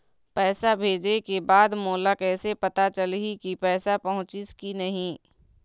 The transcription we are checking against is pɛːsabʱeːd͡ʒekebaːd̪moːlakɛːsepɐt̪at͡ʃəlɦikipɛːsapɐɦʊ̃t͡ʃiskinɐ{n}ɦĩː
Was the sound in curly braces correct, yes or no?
no